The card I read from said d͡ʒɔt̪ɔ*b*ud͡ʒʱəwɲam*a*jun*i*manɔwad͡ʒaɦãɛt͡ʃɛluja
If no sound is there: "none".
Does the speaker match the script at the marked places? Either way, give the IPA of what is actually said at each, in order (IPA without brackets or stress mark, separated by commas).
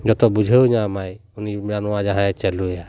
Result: b, a, i